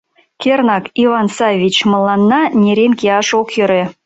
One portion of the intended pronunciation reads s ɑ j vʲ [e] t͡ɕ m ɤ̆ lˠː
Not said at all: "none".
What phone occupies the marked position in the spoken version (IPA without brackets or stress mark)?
i